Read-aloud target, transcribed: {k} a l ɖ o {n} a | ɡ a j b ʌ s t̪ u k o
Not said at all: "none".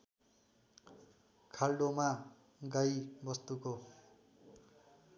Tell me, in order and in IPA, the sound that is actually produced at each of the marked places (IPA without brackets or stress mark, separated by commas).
kʰ, m